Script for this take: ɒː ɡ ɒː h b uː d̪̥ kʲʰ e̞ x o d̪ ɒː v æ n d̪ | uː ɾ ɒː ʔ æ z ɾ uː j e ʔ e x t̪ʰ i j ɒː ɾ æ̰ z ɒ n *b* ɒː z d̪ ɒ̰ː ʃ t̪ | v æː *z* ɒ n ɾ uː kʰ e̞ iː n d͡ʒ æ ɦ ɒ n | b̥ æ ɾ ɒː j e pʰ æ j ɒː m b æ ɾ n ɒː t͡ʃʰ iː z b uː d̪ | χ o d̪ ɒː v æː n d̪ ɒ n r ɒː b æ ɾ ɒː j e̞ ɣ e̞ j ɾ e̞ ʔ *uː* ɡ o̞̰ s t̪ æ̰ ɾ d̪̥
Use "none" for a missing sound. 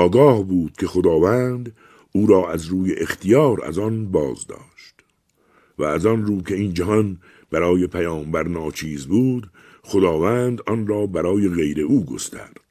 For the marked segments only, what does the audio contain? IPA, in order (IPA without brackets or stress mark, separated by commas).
b, z, uː